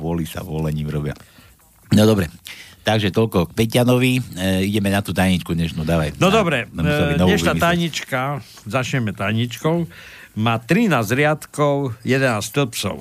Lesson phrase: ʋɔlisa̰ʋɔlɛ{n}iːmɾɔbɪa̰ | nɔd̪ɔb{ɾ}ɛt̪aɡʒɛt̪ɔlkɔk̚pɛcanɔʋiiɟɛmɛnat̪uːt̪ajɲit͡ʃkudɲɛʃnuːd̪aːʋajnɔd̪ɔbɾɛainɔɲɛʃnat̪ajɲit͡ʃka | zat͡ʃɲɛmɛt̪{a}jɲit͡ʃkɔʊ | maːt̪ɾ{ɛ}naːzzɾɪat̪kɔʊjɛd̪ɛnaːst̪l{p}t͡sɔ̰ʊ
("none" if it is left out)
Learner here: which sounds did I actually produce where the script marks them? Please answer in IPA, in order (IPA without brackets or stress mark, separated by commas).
ɲ, ɾ, a, i, p